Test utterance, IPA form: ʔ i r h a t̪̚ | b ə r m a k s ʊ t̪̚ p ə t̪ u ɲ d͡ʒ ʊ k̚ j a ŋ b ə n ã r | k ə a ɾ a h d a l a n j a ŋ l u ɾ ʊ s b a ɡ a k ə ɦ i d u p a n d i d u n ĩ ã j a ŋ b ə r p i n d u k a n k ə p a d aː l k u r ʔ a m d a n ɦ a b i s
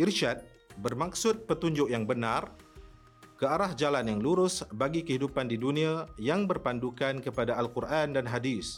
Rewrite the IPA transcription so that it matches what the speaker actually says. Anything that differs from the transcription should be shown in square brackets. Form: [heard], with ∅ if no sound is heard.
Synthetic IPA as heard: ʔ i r [ʃ] a t̪̚ | b ə r m a k s ʊ t̪̚ p ə t̪ u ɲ d͡ʒ ʊ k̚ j a ŋ b ə n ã r | k ə a ɾ a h [d͡ʒ] a l a n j a ŋ l u ɾ ʊ s b a ɡ [i] k ə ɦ i d u p a n d i d u n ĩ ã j a ŋ b ə r p [a] n d u k a n k ə p a d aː l k u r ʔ a [n] d a n ɦ a [d] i s